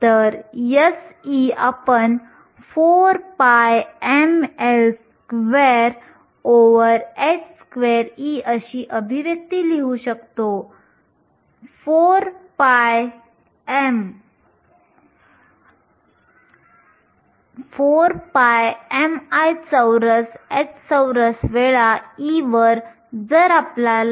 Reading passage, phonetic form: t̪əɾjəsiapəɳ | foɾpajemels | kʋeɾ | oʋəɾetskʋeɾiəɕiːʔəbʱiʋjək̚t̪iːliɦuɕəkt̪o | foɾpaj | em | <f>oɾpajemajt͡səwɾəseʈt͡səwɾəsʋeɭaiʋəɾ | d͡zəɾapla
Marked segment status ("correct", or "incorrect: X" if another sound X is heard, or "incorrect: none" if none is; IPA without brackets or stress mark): correct